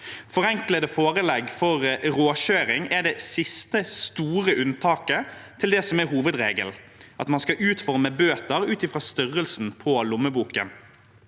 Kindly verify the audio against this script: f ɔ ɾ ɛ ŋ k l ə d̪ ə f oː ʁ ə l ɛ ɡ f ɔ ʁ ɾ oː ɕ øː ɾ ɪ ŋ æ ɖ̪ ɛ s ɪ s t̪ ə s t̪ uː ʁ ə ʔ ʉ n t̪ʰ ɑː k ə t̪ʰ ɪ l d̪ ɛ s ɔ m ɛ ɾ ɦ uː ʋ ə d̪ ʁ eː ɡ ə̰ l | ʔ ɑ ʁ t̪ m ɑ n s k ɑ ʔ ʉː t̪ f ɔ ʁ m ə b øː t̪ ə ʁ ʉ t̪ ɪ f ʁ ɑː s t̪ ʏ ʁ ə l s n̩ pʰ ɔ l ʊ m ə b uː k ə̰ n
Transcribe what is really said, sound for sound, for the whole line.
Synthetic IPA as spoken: f ɔ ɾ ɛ ŋ k l ə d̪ ə f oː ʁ ə l ɛ ɡ f ɔ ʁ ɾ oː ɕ øː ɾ ɪ ŋ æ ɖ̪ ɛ s ɪ s t̪ ə s t̪ uː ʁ ə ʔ ʉ n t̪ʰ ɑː k ə t̪ʰ ɪ l d̪ ɛ s ɔ m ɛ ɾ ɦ uː ʋ ə d̪ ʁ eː ɡ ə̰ l | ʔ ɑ t̪ m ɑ n s k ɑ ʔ ʉː t̪ f ɔ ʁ m ə b øː t̪ ə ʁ ʉː t̪ ɪ f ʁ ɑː s t̪ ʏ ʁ ə l s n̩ pʰ ɔ l ʊ m ə b uː k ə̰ n

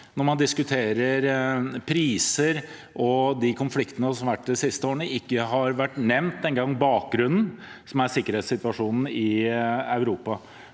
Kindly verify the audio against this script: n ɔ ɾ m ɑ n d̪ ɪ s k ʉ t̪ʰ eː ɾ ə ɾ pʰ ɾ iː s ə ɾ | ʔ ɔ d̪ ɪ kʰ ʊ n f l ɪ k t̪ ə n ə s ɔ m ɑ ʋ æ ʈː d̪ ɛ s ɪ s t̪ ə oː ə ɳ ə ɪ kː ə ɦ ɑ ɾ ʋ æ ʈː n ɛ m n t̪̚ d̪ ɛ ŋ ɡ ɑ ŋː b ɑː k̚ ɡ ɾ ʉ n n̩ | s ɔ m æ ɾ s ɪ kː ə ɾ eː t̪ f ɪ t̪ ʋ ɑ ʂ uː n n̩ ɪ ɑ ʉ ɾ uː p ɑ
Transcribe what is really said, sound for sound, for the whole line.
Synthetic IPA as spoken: n ɔ ɾ m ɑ n d̪ ɪ s k ʉ t̪ʰ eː ɾ ə ɾ pʰ ɾ iː s ə ɾ | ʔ ɔ d̪ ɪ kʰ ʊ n f l ɪ k t̪ ə n ə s ɔ m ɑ ʋ æ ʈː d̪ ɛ s ɪ s t̪ ə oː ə ɳ ə ɪ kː ə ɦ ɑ ɾ ʋ æ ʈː n ɛ m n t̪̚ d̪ ɛ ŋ ɡ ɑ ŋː b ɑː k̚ ɡ ɾ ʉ n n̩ | s ɔ m æ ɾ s ɪ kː ə ɾ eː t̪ s ɪ t̪ ʋ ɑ ʂ uː n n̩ ɪ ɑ ʉ ɾ uː p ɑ

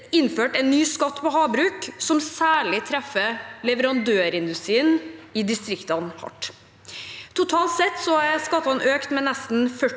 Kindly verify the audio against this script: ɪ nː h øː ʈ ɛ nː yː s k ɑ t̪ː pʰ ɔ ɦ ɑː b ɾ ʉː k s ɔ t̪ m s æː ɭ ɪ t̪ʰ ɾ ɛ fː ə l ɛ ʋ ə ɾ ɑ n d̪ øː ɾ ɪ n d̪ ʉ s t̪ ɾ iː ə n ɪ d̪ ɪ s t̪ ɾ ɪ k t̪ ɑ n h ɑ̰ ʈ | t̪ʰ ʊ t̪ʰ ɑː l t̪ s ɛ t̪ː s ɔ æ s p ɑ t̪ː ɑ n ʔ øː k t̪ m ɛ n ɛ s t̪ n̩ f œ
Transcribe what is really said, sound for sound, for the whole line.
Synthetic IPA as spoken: ɪ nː f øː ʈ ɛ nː yː s k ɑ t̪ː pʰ ɔ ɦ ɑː b ɾ ʉː k s ɔ m s æː ɭ ɪ t̪ʰ ɾ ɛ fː ə l ɛ ʋ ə ɾ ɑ n d̪ øː ɾ ɪ n d̪ ʉ s t̪ ɾ iː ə n ɪ d̪ ɪ s t̪ ɾ ɪ k t̪ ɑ n h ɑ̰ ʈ | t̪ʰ ʊ t̪ʰ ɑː l t̪ s ɛ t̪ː s ɔ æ s k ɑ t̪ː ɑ n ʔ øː k t̪ m ɛ n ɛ s t̪ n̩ f œ

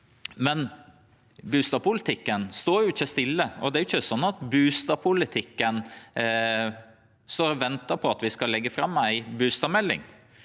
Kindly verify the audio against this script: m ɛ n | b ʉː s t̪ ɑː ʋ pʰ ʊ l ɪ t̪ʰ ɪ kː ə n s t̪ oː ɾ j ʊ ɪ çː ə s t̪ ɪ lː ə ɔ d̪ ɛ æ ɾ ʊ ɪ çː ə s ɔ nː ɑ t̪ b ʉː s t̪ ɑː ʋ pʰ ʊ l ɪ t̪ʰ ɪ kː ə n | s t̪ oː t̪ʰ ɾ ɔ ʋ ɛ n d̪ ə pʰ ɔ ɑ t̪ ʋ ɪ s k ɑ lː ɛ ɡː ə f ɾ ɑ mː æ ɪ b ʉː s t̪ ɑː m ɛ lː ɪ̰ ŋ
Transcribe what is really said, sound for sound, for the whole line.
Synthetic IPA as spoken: m ɛ n | b ʉː s t̪ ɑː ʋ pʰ ʊ l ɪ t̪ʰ ɪ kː ə n s t̪ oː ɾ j ʊ ɪ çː ə s t̪ ɪ lː ə ɔ d̪ ɛ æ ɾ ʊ ɪ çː ə s ɔ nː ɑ t̪ b ʉː s t̪ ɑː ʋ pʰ ʊ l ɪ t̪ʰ ɪ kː ə n | s t̪ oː ɾ ɔ ʋ ɛ n t̪ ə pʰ ɔ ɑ t̪ ʋ ɪ s k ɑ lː ɛ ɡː ə f ɾ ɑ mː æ ɪ b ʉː s t̪ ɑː m ɛ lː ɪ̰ ŋ

